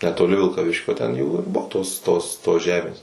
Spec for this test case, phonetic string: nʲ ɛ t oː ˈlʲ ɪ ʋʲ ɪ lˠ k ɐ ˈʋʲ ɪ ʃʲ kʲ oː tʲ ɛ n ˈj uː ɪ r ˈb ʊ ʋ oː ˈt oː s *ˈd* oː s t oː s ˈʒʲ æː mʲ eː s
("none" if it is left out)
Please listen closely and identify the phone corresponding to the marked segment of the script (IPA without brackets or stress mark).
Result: t